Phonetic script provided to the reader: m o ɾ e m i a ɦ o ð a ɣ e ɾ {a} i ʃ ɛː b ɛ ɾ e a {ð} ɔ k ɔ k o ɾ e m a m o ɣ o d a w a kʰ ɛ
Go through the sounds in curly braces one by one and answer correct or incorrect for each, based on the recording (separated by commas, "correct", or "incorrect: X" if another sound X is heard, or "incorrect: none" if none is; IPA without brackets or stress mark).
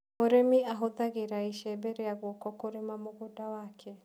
correct, incorrect: ɣ